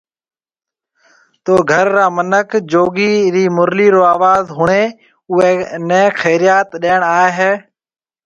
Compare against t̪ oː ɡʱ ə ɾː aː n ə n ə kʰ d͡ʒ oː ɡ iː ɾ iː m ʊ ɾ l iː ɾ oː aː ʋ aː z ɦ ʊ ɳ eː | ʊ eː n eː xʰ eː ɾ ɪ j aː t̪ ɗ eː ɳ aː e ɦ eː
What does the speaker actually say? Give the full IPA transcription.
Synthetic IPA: t̪ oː ɡʱ ə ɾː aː m ə n ə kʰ d͡ʒ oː ɡ iː ɾ iː m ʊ ɾ l iː ɾ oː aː ʋ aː z ɦ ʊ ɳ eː | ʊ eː n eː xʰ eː ɾ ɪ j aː t̪ ɗ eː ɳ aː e ɦ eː